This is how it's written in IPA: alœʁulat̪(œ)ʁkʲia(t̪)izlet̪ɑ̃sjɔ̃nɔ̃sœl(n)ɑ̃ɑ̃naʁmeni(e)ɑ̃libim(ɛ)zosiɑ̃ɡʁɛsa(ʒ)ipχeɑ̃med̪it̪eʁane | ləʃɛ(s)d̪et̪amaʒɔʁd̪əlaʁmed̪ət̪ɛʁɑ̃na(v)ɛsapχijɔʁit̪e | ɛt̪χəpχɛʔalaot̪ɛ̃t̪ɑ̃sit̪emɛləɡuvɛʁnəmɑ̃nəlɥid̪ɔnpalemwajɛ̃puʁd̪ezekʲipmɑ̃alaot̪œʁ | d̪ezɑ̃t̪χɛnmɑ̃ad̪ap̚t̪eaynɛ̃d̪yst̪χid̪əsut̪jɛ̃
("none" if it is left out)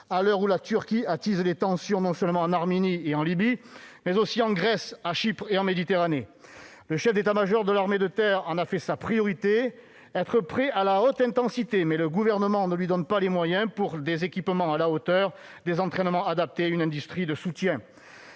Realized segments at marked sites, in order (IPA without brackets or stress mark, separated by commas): y, t̪, m, e, ɛ, ʃ, f, f